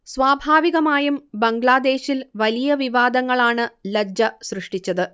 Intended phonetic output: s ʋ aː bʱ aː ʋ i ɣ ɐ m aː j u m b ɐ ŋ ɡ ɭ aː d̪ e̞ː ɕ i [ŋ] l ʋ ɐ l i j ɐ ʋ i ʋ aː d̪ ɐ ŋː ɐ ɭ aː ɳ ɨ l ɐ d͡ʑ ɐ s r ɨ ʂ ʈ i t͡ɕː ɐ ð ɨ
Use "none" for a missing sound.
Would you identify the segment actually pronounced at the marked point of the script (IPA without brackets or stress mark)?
none